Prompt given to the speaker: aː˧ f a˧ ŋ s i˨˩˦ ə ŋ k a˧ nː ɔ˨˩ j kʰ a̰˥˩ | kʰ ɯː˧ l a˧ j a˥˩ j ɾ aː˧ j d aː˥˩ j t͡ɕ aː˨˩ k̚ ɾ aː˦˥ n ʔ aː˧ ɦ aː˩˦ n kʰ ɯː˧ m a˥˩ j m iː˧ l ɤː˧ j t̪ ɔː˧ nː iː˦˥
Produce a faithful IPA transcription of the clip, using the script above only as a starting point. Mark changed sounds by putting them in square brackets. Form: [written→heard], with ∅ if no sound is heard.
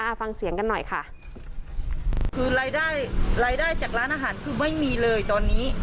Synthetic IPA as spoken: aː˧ f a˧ ŋ s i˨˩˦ ə ŋ k a˧ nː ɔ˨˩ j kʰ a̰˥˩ | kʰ ɯː˧ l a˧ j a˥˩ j ɾ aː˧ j d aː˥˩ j t͡ɕ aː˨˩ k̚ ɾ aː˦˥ n ʔ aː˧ ɦ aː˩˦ n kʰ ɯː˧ m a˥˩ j m iː˧ l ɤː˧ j t̪ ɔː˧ nː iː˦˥